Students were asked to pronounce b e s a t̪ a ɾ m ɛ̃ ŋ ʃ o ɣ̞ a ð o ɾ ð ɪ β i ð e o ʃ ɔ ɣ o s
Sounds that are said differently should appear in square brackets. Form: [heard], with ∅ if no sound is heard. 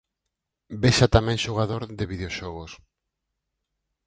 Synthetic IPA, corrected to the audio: b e [ʃ] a t̪ a [∅] m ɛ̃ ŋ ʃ o ɣ̞ a ð o ɾ ð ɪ β i ð e o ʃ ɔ ɣ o s